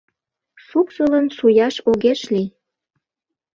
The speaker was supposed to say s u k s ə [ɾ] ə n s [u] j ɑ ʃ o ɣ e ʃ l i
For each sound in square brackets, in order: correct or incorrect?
incorrect: l, correct

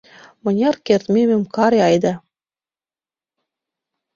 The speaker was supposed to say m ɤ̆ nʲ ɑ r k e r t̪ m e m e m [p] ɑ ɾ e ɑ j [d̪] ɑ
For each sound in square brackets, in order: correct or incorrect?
incorrect: k, correct

